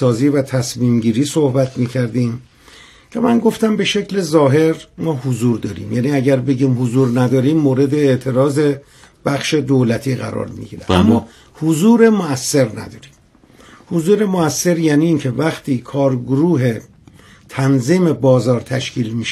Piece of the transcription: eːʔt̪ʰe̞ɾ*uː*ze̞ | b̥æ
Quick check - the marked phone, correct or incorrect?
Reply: incorrect